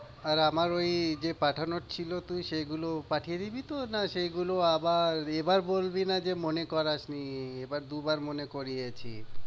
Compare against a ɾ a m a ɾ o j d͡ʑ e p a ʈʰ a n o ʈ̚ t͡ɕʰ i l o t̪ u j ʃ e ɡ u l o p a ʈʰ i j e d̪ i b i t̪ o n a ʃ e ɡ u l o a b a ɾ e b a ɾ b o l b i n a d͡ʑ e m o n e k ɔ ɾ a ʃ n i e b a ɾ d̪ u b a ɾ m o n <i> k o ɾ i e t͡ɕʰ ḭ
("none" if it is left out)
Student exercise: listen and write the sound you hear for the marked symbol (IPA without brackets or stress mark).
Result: e